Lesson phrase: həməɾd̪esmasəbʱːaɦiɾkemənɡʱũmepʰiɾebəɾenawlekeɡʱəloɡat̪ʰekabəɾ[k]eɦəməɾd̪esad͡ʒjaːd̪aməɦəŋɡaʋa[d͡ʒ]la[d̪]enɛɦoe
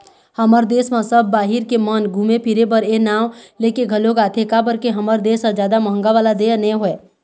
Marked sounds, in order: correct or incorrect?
correct, incorrect: none, correct

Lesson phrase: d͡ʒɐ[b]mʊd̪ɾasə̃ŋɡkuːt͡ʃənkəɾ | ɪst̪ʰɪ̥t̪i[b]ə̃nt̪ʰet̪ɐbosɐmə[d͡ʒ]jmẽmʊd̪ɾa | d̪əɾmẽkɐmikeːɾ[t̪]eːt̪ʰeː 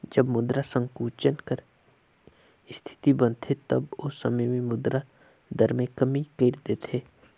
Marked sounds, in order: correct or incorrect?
correct, correct, incorrect: none, incorrect: d̪

